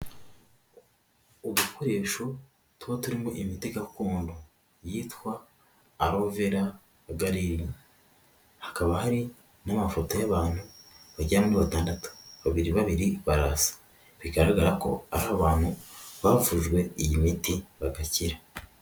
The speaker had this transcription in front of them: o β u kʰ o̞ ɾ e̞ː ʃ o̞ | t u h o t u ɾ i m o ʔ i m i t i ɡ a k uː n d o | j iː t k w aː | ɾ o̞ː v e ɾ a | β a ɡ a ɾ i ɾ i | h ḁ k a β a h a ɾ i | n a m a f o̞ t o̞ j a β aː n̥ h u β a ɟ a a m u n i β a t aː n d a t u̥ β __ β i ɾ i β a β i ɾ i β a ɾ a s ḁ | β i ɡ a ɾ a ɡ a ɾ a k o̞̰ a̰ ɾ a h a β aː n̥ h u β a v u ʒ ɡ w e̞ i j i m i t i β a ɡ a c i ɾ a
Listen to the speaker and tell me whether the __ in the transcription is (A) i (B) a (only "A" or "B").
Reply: B